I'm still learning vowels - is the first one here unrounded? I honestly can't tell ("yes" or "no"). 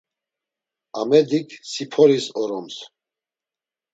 yes